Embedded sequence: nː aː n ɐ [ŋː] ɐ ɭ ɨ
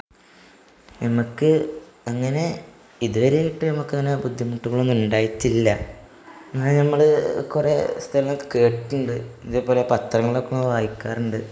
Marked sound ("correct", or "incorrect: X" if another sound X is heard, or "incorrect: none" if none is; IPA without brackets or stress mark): incorrect: mː